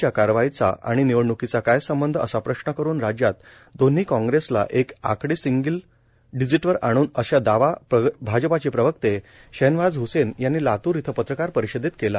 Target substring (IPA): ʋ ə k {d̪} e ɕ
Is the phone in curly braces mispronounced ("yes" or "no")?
yes